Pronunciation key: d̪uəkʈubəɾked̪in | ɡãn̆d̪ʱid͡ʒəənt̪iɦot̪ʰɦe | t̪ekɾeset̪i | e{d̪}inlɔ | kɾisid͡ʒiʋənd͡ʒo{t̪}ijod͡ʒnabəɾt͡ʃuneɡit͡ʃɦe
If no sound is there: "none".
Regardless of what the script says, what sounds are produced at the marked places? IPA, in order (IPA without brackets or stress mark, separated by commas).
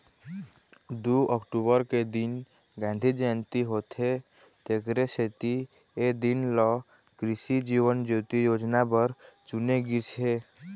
d̪, t̪